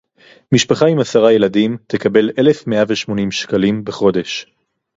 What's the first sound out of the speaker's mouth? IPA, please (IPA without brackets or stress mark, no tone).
m